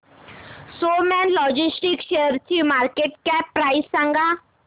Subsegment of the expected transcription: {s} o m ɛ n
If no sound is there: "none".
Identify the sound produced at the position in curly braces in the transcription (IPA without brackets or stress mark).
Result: s